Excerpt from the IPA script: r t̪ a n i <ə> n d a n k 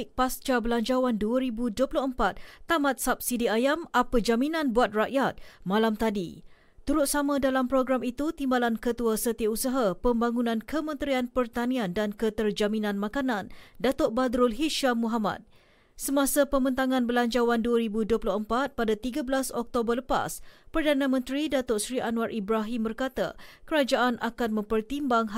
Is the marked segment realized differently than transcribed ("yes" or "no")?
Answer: yes